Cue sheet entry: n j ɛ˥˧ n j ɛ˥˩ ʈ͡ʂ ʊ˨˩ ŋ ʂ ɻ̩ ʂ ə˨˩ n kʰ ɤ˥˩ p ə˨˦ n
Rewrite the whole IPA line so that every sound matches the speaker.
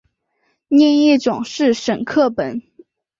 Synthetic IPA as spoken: n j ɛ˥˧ n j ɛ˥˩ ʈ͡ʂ ʊ˨˩ ŋ ʂ ɻ̩ ʂ ə˨˩ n kʰ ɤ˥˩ p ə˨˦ n